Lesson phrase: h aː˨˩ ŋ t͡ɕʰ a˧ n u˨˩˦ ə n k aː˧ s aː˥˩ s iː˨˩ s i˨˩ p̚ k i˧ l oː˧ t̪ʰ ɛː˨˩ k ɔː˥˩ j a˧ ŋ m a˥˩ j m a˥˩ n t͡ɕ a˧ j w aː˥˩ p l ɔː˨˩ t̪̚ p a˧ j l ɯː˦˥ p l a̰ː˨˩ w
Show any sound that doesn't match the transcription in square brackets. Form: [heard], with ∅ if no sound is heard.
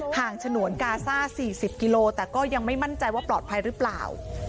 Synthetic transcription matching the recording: h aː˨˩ ŋ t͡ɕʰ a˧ n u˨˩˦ ə n k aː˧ s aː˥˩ s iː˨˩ s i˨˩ p̚ k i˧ l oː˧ [t̪] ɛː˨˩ k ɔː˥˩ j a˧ ŋ m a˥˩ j m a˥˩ n t͡ɕ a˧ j w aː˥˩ p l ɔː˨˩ t̪̚ [pʰ] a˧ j [ɾ] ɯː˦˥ p l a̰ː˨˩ w

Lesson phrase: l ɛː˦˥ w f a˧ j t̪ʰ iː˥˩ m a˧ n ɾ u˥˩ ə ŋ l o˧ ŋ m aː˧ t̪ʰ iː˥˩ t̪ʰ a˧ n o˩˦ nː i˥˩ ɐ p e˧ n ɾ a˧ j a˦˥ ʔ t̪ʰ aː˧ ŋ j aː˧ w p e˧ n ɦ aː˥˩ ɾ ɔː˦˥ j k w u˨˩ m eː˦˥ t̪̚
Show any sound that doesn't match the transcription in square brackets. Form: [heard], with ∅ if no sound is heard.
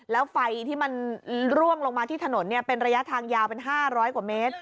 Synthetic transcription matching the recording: l ɛː˦˥ w f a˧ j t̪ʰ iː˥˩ m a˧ n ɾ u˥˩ ə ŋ l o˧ ŋ m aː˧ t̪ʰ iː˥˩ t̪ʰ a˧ n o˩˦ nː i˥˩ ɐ p e˧ n ɾ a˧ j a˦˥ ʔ t̪ʰ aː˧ ŋ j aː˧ w p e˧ n ɦ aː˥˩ ɾ ɔː˦˥ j k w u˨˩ m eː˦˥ t̪̚

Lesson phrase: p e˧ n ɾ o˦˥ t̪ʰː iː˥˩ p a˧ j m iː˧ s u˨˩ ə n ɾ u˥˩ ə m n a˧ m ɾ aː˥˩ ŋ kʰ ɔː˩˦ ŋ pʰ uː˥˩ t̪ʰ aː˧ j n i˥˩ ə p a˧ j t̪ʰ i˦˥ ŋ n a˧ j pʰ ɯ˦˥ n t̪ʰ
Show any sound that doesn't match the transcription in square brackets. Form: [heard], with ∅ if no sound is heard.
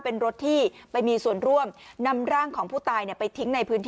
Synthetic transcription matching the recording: p e˧ n ɾ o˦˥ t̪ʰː iː˥˩ p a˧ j m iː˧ s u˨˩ ə n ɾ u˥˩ ə m n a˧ m ɾ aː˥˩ ŋ kʰ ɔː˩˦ ŋ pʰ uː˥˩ [t̪] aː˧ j n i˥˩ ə p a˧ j t̪ʰ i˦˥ ŋ n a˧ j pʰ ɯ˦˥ n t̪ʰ

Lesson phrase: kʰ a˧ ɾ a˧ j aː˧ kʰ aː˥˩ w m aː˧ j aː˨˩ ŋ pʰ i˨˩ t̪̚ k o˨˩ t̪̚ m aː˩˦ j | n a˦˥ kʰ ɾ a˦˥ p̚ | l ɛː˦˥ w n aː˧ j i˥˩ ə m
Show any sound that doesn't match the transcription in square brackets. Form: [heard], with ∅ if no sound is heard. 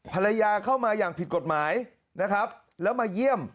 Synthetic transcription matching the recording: [pʰ] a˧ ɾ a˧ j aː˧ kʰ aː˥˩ w m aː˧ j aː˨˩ ŋ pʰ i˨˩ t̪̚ k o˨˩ t̪̚ m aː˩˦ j | n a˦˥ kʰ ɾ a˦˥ p̚ | l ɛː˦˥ w [m] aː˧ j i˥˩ ə m

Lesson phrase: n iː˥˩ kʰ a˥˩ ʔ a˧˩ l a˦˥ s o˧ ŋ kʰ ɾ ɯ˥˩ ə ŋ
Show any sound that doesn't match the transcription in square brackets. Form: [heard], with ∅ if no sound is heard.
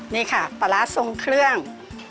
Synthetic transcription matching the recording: n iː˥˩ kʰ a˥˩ [p] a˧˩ l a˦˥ s o˧ ŋ kʰ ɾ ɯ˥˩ ə ŋ

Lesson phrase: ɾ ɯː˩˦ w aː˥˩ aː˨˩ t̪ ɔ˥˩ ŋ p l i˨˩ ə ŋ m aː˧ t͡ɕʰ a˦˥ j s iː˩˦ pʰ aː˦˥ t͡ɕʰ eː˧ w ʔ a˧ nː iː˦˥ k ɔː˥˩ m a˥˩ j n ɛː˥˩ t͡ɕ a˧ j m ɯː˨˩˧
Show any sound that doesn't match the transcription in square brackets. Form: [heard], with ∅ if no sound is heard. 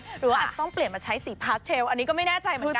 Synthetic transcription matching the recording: ɾ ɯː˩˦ w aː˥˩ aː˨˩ t̪ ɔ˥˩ ŋ p l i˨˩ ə [n] m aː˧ t͡ɕʰ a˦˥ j s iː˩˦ pʰ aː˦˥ t͡ɕʰ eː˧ w ʔ a˧ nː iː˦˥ k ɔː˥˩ m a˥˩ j n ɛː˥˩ t͡ɕ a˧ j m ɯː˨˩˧

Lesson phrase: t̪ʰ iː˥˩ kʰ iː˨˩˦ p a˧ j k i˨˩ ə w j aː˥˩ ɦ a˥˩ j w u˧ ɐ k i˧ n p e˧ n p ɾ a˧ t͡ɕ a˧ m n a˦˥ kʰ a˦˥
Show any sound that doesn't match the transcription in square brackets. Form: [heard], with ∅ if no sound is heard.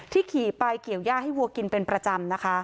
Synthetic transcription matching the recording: t̪ʰ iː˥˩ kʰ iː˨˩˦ p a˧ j k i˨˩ ə w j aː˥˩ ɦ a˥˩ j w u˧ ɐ k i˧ n p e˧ n p ɾ a˧ t͡ɕ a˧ m n a˦˥ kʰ a˦˥

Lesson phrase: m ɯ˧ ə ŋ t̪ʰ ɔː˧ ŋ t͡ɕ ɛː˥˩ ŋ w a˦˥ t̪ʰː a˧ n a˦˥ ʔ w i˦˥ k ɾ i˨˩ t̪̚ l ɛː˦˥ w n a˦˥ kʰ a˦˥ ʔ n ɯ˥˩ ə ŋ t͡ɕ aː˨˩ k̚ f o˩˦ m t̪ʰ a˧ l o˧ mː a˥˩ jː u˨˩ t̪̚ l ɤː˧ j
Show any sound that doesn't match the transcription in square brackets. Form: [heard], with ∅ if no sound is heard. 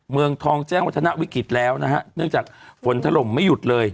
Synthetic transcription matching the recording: m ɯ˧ ə ŋ t̪ʰ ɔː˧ ŋ t͡ɕ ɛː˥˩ ŋ w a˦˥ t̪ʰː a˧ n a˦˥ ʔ w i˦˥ k ɾ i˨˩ t̪̚ l ɛː˦˥ w n a˦˥ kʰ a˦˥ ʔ n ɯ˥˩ ə ŋ t͡ɕ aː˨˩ k̚ f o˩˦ [n] t̪ʰ a˧ l [o˨˩] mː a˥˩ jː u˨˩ t̪̚ l ɤː˧ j

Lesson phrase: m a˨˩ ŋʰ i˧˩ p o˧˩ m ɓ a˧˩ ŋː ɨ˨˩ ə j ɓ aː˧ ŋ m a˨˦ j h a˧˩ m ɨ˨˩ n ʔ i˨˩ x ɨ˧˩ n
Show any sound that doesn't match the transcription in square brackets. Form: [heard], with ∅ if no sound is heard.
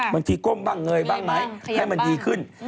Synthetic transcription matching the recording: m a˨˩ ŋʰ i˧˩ [k] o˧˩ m ɓ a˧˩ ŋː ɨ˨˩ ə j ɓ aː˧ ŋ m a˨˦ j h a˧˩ m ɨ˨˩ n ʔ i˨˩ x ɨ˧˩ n

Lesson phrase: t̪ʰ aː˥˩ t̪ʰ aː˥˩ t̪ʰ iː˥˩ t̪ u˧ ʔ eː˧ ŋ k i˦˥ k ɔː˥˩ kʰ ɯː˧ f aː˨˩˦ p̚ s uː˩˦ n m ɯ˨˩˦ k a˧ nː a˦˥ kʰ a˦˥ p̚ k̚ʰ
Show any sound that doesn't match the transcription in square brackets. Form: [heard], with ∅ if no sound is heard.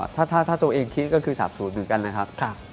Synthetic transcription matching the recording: t̪ʰ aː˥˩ t̪ʰ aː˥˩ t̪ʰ [aː˥˩] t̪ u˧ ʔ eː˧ ŋ [kʰ] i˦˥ k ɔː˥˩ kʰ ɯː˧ [s] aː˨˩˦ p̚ s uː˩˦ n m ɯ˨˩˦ k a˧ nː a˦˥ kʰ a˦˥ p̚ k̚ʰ

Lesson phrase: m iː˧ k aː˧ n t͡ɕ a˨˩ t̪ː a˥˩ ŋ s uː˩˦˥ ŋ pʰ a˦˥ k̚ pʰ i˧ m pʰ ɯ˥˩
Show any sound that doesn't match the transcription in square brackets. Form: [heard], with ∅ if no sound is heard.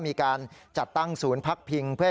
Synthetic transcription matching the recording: m iː˧ k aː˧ n t͡ɕ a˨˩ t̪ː a˥˩ ŋ s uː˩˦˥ [n] pʰ a˦˥ k̚ pʰ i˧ [ŋ] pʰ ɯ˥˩

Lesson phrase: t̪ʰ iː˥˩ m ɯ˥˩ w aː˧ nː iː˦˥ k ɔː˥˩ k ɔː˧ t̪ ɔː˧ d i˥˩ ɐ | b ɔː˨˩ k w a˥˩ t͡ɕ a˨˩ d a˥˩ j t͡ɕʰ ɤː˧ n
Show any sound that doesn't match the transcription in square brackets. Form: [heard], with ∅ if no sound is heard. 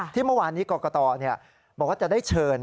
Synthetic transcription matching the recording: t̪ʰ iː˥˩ m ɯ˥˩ w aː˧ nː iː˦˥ k [ɔː˧] k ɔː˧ t̪ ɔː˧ [n] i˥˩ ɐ | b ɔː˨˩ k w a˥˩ t͡ɕ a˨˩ d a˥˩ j t͡ɕʰ ɤː˧ n

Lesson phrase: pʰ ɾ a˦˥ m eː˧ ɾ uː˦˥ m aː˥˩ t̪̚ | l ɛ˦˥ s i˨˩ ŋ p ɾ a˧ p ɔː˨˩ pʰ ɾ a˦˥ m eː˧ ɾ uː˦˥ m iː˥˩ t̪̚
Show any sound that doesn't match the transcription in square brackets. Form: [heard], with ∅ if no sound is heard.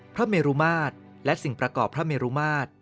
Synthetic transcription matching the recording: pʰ ɾ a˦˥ m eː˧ ɾ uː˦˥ m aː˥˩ t̪̚ | l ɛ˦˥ s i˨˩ ŋ p ɾ a˧ [k] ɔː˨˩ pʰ ɾ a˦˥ m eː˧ ɾ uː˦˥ m [aː˥˩] t̪̚

